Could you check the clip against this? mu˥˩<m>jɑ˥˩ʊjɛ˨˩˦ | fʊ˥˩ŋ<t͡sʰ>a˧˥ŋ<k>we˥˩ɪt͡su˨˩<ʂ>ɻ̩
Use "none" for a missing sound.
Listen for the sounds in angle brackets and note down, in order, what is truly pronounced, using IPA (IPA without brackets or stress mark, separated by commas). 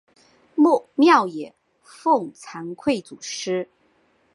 m, t͡sʰ, kʰ, ʂ